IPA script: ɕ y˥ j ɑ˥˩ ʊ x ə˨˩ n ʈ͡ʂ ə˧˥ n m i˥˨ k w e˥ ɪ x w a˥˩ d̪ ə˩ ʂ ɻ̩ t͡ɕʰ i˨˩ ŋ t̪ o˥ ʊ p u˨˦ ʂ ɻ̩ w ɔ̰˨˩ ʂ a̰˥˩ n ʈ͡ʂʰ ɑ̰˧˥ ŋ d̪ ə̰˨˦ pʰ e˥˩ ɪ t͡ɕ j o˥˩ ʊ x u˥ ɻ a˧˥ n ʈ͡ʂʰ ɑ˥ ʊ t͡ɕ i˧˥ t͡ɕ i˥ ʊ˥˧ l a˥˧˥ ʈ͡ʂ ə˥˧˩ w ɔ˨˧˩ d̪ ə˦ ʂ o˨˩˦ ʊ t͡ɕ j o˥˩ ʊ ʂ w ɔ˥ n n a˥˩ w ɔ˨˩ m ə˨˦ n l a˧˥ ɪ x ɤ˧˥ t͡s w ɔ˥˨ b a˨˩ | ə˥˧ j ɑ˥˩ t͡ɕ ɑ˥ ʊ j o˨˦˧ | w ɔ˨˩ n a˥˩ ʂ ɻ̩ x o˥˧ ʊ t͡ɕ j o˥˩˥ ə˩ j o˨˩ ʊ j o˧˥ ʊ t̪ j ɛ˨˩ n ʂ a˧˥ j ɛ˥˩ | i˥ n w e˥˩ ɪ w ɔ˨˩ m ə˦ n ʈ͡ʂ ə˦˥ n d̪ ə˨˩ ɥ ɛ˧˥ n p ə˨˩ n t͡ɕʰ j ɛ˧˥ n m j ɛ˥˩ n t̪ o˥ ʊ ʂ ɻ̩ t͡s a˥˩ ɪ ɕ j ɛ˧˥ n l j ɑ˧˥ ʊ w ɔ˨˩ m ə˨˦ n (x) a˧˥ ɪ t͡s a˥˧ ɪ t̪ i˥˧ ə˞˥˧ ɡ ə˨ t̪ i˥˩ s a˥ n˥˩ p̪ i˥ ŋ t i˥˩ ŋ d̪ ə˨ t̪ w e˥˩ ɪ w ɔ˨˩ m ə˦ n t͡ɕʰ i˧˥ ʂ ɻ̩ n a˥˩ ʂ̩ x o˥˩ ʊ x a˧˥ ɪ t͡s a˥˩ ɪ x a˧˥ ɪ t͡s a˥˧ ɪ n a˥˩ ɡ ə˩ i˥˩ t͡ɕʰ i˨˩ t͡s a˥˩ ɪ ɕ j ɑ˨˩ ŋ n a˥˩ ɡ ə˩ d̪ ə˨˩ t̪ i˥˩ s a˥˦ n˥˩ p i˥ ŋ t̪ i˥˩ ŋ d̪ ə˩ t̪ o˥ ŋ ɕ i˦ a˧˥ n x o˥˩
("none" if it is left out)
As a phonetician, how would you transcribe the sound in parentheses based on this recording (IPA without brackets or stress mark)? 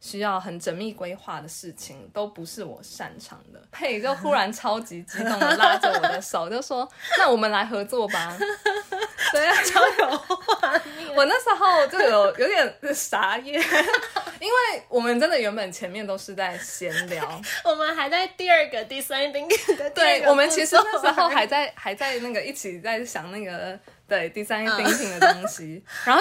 x